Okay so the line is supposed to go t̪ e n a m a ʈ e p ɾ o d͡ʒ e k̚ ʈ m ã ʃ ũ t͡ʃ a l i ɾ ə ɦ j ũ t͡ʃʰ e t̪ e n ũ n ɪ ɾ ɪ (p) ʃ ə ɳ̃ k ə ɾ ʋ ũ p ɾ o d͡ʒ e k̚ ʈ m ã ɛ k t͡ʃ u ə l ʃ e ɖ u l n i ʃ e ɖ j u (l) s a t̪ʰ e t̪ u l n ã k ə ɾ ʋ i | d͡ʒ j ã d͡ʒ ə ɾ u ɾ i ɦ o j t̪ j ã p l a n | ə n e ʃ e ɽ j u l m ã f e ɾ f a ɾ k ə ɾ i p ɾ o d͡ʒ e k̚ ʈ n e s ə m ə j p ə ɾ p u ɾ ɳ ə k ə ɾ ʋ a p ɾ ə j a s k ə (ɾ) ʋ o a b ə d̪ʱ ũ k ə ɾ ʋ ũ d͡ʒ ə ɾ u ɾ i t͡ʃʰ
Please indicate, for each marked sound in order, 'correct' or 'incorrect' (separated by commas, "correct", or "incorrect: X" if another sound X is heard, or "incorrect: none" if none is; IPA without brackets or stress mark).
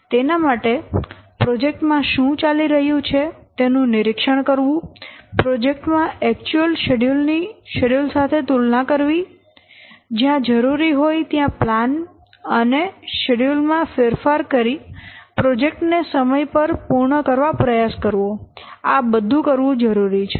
incorrect: k, correct, correct